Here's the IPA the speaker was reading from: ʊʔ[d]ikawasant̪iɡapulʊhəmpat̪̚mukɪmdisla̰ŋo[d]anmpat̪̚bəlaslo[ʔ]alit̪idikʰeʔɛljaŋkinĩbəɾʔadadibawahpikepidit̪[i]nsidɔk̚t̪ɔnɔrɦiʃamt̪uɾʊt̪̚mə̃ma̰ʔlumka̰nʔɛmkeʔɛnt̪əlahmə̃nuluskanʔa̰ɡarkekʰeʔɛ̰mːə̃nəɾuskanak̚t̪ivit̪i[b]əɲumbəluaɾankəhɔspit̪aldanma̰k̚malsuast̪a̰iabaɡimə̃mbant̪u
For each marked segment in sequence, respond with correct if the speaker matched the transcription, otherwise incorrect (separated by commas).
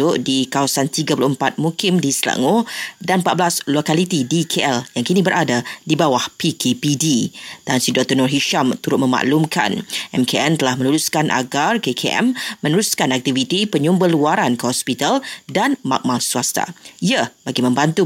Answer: correct, correct, incorrect, incorrect, incorrect